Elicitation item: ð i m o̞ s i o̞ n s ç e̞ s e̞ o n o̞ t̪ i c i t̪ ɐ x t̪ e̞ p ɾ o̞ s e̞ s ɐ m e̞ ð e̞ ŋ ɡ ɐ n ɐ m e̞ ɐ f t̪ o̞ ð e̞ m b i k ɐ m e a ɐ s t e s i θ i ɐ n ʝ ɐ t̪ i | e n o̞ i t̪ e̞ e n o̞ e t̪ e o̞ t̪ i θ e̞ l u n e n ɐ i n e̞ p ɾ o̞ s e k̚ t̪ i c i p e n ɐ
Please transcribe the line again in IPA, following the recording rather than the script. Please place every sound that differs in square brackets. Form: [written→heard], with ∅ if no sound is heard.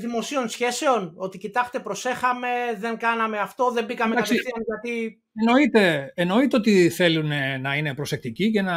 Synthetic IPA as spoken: ð i m o̞ s i o̞ n s ç e̞ s e̞ o n o̞ t̪ i c i t̪ ɐ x t̪ e̞ p ɾ o̞ s e̞ [s→x] ɐ m e̞ ð e̞ ŋ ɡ ɐ n ɐ m e̞ ɐ f t̪ o̞ ð e̞ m b i k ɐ m e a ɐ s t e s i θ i ɐ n ʝ ɐ t̪ i | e n o̞ i t̪ e̞ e n o̞ [e→i] t̪ e o̞ t̪ i θ e̞ l u n e n ɐ i n e̞ p ɾ o̞ s e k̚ t̪ i c i [p→c] e n ɐ